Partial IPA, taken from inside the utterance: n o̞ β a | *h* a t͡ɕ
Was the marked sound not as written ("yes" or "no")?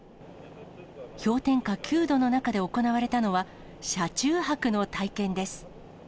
yes